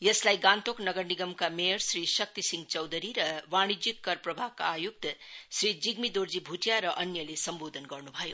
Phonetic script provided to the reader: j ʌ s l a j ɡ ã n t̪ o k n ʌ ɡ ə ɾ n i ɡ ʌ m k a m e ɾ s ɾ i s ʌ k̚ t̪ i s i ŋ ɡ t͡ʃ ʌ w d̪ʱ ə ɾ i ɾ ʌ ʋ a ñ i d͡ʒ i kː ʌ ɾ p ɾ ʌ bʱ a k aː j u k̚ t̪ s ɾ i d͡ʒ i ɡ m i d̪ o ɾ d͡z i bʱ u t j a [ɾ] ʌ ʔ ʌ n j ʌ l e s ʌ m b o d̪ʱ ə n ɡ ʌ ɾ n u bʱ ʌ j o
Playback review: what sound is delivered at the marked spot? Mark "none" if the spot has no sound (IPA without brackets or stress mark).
ɾ